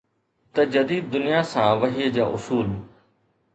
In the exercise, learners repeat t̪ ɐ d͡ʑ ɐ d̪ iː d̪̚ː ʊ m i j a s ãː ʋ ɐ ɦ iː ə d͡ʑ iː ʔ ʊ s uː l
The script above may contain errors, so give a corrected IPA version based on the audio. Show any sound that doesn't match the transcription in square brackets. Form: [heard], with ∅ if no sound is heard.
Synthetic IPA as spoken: t̪ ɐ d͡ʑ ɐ d̪ iː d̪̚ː ʊ [n] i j a s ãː ʋ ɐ ɦ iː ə d͡ʑ [aː] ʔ ʊ s uː l